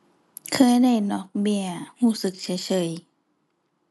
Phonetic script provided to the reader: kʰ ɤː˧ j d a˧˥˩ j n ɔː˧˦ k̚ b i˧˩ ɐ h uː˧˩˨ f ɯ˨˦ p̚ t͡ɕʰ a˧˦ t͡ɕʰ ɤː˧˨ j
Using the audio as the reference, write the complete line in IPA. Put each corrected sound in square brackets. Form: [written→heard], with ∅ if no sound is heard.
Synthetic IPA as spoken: kʰ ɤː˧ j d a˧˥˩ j n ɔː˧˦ k̚ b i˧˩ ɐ h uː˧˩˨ [f→s] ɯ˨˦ [p̚→k̚] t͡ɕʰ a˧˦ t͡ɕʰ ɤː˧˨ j